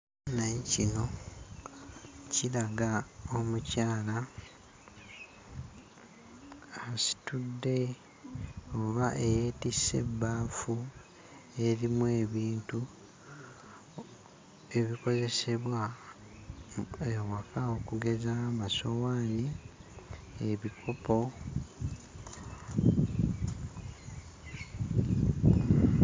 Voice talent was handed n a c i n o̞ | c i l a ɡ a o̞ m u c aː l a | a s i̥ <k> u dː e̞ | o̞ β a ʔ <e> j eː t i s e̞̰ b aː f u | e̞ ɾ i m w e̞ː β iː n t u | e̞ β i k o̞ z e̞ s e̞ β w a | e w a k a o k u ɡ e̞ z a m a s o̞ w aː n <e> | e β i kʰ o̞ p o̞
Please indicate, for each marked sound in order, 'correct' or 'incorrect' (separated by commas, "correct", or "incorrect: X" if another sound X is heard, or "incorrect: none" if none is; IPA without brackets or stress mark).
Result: incorrect: t, correct, incorrect: i